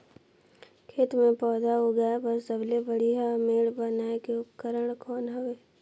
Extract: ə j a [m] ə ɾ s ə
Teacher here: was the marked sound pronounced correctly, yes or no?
no